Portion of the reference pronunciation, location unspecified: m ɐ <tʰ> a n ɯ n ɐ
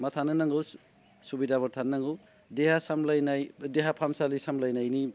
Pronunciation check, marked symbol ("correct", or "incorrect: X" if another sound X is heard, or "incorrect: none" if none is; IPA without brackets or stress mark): correct